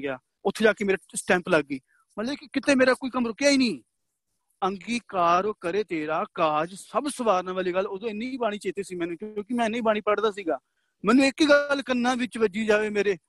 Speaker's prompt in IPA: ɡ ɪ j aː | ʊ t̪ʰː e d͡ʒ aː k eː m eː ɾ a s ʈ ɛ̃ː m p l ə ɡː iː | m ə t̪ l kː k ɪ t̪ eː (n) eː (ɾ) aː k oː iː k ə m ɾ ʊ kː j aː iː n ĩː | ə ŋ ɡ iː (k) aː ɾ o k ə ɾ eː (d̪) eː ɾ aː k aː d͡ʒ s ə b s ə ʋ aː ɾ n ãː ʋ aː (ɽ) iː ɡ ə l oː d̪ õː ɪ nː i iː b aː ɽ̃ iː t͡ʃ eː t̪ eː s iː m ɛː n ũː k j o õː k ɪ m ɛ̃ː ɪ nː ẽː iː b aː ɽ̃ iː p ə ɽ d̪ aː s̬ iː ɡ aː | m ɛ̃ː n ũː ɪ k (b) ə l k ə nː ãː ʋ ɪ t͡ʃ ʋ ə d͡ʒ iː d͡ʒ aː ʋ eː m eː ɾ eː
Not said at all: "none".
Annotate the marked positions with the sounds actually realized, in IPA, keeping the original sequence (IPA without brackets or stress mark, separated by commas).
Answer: m, ɾ, k, t̪, l, ɡ